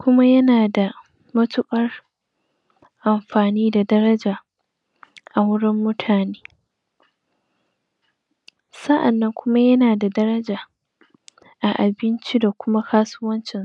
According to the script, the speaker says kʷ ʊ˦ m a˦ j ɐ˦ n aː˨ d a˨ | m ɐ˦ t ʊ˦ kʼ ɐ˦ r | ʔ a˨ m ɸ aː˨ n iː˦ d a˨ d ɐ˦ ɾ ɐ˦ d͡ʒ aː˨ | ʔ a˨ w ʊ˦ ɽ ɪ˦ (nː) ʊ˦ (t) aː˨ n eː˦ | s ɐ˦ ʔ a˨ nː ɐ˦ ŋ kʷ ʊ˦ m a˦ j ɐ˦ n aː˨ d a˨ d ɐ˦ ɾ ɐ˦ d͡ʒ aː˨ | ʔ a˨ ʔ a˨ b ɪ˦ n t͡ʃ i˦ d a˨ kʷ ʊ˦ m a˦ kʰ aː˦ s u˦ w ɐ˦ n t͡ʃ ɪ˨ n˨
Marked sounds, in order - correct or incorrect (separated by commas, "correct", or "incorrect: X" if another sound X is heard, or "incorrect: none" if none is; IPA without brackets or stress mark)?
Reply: incorrect: mː, incorrect: tʰ